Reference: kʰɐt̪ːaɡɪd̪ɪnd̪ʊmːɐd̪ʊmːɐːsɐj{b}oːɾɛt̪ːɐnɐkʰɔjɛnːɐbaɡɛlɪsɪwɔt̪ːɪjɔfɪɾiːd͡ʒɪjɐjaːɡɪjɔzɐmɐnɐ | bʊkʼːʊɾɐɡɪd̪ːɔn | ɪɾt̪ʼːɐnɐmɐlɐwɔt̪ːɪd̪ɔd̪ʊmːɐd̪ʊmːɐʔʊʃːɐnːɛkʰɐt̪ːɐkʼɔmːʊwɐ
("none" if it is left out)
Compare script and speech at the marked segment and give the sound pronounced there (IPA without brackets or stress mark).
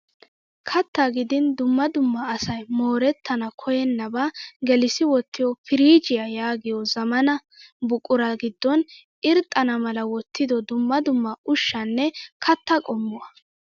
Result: m